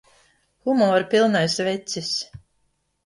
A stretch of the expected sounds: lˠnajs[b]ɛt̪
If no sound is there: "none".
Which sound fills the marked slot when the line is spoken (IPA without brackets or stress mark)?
v